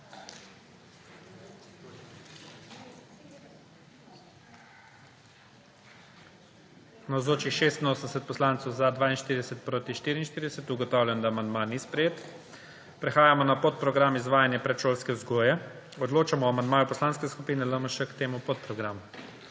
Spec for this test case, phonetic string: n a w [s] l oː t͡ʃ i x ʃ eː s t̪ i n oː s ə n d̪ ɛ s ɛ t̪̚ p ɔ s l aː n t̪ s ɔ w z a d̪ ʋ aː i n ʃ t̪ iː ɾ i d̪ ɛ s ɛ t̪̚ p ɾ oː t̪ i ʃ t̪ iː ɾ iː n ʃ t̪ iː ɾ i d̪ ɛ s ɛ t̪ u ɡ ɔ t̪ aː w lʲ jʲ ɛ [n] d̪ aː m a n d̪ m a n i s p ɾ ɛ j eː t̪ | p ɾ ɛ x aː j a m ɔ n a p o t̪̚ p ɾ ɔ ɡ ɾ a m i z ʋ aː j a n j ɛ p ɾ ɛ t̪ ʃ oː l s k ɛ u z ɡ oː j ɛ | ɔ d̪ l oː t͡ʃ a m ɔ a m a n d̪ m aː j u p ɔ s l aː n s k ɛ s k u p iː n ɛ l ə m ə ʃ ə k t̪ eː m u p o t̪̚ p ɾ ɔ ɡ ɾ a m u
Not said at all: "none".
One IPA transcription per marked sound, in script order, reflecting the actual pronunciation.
z, n

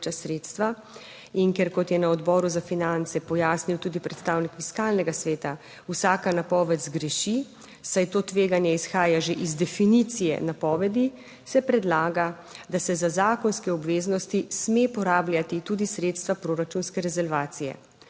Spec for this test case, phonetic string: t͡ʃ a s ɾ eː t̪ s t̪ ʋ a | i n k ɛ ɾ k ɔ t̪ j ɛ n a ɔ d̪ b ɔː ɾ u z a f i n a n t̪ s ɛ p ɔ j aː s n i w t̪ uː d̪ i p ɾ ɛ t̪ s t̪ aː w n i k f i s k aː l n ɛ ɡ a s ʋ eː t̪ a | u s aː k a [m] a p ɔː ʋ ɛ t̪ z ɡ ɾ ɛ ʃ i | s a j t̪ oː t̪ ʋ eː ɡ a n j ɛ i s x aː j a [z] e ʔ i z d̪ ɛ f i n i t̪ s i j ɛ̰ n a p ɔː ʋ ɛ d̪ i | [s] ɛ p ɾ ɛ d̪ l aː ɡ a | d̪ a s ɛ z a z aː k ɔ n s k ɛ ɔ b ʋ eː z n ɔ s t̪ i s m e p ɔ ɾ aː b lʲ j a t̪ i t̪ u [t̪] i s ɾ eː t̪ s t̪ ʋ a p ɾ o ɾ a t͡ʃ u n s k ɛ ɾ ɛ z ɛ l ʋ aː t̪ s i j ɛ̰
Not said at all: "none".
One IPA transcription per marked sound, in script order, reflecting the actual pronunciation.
n, ʒ, s, d̪

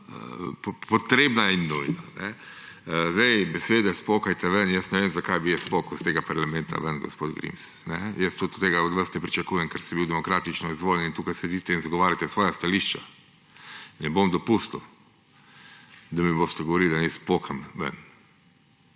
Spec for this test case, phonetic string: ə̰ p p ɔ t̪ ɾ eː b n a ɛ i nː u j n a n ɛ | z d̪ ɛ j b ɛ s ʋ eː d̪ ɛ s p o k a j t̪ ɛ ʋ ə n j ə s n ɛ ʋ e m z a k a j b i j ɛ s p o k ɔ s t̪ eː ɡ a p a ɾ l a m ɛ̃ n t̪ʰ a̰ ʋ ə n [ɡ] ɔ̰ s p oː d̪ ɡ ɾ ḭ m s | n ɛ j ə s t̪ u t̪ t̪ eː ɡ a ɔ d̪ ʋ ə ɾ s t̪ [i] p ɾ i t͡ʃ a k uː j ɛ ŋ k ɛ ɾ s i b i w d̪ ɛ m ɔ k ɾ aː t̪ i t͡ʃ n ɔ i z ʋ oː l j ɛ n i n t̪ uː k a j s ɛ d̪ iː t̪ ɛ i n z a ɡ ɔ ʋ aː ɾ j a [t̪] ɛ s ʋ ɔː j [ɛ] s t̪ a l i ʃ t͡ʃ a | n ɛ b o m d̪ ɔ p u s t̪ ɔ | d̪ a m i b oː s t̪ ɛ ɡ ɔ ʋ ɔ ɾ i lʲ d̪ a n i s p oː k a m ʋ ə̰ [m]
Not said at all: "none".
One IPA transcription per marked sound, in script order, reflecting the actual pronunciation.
ɡ, ɛ, t̪, a, n

